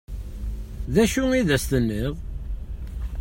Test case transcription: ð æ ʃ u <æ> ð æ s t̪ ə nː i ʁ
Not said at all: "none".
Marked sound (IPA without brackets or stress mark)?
i